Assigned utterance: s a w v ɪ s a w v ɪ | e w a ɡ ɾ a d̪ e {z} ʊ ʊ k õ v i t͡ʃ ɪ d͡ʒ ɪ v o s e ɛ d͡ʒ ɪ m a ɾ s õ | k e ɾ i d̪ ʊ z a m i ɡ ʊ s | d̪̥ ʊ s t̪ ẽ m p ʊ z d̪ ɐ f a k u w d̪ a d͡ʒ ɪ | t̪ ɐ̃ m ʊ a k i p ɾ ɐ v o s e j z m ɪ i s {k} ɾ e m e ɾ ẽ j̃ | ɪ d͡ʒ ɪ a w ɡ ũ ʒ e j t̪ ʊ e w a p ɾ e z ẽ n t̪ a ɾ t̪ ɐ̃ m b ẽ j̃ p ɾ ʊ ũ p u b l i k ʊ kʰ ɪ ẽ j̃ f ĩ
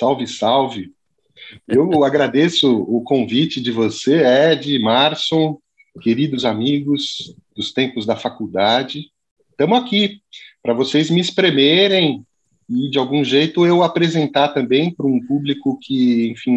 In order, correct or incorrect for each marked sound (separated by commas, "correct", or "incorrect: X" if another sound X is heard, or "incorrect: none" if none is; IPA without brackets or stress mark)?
incorrect: s, incorrect: p